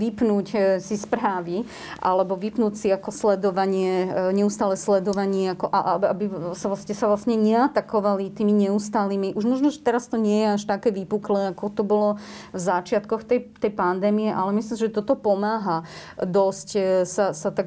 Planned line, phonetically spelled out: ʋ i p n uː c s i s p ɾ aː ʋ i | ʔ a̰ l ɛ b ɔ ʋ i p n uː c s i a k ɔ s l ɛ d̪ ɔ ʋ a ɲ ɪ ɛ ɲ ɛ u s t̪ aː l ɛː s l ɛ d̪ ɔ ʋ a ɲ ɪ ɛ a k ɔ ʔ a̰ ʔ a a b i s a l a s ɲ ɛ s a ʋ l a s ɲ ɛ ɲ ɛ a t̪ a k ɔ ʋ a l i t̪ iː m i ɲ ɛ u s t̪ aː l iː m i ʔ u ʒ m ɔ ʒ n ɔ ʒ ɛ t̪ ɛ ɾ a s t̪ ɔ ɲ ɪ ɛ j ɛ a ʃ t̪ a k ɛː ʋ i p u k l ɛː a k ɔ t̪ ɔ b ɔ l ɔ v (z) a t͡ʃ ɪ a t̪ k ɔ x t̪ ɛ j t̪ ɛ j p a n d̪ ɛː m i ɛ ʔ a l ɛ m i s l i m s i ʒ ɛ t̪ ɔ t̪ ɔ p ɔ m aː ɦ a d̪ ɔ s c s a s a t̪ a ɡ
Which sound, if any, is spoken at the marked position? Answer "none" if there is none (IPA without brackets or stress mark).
z